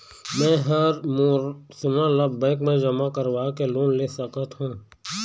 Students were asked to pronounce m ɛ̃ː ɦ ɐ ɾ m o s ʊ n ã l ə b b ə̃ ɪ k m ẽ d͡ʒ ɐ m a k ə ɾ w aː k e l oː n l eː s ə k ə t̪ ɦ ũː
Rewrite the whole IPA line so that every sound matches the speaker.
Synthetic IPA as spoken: m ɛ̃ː ɦ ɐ ɾ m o s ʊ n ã l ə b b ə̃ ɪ k m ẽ d͡ʒ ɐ m a k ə ɾ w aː k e l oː n l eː s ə k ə t̪ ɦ ũː